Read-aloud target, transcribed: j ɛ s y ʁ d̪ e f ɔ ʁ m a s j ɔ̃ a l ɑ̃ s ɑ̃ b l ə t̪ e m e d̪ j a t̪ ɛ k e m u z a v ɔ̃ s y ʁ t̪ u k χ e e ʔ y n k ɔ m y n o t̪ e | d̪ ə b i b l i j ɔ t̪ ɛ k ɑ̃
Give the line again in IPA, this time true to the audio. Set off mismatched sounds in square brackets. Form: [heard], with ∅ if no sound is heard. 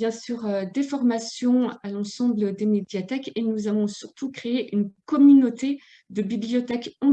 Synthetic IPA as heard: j [ɛ̃] s y ʁ d̪ e f ɔ ʁ m a s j ɔ̃ a l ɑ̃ s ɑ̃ b l ə [d̪] e m e d̪ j a t̪ ɛ k e [n] u z a v ɔ̃ s y ʁ t̪ u k χ e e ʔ y n k ɔ m y n o t̪ e | d̪ ə b i b l i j ɔ t̪ ɛ k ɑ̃

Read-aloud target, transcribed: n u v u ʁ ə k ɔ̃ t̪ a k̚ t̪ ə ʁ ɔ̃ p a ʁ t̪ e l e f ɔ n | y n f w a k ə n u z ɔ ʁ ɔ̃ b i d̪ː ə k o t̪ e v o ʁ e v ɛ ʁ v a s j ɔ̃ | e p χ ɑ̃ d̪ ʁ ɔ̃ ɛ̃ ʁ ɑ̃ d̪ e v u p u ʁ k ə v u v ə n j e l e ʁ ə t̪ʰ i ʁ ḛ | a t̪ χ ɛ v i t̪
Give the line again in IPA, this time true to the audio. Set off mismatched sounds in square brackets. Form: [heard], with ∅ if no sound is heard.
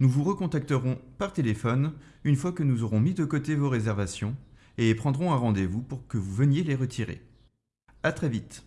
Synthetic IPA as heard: n u v u ʁ ə k ɔ̃ t̪ a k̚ t̪ ə ʁ ɔ̃ p a ʁ t̪ e l e f ɔ n | y n f w a k ə n u z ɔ ʁ ɔ̃ [m] i [d̪] ə k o t̪ e v o ʁ e [z] ɛ ʁ v a s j ɔ̃ | e p χ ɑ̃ d̪ ʁ ɔ̃ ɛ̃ ʁ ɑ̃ d̪ e v u p u ʁ k ə v u v ə n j e l e ʁ ə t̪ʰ i ʁ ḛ | a t̪ χ ɛ v i t̪

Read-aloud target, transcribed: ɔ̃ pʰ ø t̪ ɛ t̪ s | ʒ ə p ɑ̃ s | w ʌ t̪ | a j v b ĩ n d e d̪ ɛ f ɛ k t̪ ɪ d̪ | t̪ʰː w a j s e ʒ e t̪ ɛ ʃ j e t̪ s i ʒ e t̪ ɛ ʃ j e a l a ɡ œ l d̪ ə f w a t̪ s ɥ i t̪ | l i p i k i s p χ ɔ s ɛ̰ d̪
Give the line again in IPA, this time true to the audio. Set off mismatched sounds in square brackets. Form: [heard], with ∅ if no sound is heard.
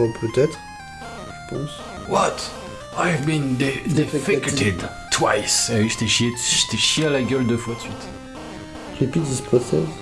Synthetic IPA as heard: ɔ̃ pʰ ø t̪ ɛ t̪ [χ] | ʒ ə p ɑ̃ s | w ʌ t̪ | a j v b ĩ n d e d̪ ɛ f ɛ k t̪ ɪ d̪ | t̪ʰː w a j s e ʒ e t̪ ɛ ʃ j e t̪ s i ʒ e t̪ ɛ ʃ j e a l a ɡ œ l d̪ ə f w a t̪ s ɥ i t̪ | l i p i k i s p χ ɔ s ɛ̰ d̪

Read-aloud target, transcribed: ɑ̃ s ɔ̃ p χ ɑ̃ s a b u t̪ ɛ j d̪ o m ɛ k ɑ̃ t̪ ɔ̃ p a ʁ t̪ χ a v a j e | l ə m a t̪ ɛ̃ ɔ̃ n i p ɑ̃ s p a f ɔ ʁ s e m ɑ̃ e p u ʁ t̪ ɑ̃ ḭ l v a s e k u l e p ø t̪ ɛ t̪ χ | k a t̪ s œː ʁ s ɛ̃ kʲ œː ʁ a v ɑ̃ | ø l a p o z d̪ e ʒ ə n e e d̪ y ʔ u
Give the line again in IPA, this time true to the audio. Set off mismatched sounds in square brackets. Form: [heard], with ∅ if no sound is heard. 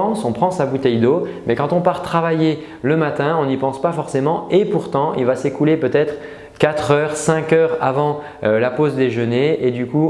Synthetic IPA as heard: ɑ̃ s ɔ̃ p χ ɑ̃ s a b u t̪ ɛ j d̪ o m ɛ k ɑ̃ t̪ ɔ̃ p a ʁ t̪ χ a v a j e | l ə m a t̪ ɛ̃ ɔ̃ n i p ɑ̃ s p a f ɔ ʁ s e m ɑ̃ e p u ʁ t̪ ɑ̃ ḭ l v a s e k u l e p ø t̪ ɛ t̪ χ | k a t̪ [χ] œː ʁ s ɛ̃ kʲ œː ʁ a v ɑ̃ | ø l a p o z d̪ e ʒ ə n e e d̪ y [k] u

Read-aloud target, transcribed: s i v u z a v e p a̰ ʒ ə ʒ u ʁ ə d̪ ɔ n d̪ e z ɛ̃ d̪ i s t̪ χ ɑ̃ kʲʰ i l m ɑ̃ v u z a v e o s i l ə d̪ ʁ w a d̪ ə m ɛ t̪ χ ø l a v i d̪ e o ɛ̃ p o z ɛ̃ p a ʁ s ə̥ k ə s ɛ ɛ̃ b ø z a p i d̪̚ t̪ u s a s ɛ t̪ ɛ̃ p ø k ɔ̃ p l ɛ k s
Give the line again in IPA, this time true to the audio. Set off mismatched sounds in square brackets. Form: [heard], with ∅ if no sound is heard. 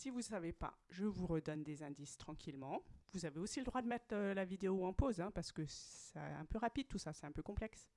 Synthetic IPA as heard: s i v u [s] a v e p a̰ ʒ ə [v] u ʁ ə d̪ ɔ n d̪ e z ɛ̃ d̪ i s t̪ χ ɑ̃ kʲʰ i l m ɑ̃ v u z a v e o s i l ə d̪ ʁ w a d̪ ə m ɛ t̪ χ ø l a v i d̪ e o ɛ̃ p o z ɛ̃ p a ʁ s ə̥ k ə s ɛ ɛ̃ [p] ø [ʁ] a p i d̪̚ t̪ u s a s ɛ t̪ ɛ̃ p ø k ɔ̃ p l ɛ k s

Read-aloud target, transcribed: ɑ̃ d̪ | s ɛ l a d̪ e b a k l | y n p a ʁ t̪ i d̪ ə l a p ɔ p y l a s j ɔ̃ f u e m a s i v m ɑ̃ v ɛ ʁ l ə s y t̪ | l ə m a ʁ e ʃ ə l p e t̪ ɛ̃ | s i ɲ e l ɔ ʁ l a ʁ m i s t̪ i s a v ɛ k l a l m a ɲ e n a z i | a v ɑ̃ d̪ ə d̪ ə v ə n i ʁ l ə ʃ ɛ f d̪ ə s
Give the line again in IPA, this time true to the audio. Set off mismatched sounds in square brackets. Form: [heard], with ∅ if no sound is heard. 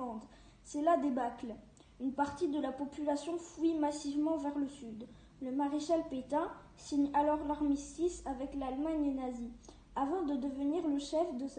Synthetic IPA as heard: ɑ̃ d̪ | s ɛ l a d̪ e b a k l | y n p a ʁ t̪ i d̪ ə l a p ɔ p y l a s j ɔ̃ f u [i] m a s i v m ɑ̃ v ɛ ʁ l ə s y [d̪] | l ə m a ʁ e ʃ [a] l p e t̪ ɛ̃ | s i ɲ [a] l ɔ ʁ l a ʁ m i s t̪ i s a v ɛ k l a l m a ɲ e n a z i | a v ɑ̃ d̪ ə d̪ ə v ə n i ʁ l ə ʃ ɛ f d̪ ə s

